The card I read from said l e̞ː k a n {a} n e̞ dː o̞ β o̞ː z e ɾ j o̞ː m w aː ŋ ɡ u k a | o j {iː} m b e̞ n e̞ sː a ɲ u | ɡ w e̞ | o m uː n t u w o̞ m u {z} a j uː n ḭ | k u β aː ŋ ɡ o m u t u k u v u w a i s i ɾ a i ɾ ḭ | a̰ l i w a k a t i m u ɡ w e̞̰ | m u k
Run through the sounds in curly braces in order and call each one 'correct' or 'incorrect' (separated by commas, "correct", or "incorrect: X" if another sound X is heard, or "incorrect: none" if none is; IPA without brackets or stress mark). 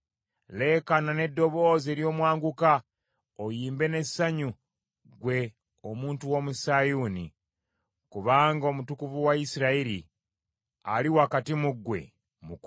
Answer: correct, correct, incorrect: s